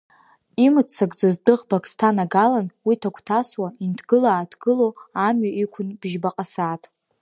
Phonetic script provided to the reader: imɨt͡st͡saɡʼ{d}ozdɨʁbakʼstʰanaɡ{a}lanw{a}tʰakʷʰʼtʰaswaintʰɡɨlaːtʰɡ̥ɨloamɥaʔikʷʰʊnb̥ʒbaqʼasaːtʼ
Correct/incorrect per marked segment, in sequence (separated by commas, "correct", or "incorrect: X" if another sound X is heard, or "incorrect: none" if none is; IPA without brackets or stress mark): incorrect: d͡z, correct, incorrect: i